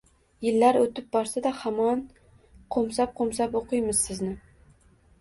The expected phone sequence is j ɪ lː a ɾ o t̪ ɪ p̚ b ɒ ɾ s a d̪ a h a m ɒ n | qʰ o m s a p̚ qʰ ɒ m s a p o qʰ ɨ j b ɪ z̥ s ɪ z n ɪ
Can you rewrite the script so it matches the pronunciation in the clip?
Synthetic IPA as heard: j ɪ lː a ɾ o t̪ ɪ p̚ b ɒ ɾ s a d̪ a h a m ɒ n | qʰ o m s a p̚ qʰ o m s a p o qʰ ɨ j m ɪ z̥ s ɪ z n ɪ